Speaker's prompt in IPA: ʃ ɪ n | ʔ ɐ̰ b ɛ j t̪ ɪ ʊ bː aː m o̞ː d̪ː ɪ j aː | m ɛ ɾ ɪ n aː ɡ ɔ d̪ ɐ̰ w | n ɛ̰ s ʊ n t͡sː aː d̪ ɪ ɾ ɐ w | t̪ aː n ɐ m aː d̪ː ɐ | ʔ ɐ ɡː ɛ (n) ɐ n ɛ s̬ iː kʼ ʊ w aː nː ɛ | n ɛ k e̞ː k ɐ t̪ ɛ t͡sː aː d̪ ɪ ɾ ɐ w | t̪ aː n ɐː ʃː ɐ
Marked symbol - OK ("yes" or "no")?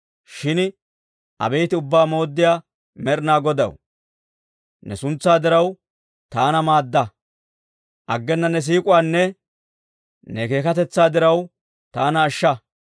no